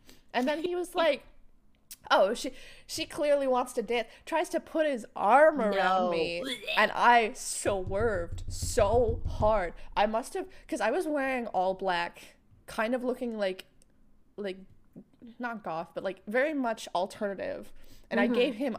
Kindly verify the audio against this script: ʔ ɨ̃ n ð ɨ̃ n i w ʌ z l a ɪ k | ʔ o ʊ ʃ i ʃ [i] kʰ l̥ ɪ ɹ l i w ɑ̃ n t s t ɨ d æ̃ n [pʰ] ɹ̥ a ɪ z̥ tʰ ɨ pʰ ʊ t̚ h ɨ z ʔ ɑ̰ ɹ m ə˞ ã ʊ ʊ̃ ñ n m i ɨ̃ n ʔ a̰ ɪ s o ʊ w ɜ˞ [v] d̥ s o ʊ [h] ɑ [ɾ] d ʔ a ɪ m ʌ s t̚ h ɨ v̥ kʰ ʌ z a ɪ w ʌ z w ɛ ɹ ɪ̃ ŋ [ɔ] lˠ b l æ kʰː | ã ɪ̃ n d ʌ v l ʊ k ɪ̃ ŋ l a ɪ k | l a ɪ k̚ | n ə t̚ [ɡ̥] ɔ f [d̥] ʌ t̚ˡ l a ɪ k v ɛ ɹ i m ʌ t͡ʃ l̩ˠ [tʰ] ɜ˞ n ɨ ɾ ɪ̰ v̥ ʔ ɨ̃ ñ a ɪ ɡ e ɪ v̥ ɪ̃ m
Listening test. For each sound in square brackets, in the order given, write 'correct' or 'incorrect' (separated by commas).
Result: correct, incorrect, correct, correct, incorrect, correct, correct, incorrect, correct